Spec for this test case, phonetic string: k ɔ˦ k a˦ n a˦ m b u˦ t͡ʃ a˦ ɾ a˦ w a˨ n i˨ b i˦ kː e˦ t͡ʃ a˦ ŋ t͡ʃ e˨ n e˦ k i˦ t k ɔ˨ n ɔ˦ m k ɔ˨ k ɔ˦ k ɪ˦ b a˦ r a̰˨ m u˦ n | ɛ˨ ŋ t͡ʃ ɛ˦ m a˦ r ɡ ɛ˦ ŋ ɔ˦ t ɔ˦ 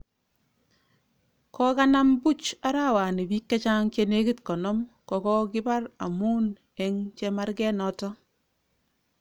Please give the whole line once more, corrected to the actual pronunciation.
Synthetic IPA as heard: k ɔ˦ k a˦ n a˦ m b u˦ t͡ʃ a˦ ɾ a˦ w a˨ n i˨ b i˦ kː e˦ t͡ʃ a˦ ŋ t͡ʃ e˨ n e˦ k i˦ t k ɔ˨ n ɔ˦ m k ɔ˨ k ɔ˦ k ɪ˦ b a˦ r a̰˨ m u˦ n | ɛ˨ ŋ t͡ʃ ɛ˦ m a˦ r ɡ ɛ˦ n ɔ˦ t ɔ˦